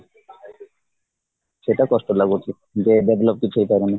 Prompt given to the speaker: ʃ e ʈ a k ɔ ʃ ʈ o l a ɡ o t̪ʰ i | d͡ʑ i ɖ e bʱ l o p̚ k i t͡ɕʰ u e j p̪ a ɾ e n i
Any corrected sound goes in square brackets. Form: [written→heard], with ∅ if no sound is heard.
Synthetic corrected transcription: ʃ e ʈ a k ɔ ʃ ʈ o l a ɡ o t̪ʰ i | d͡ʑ [i→e] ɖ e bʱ l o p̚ k i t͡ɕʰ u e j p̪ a ɾ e n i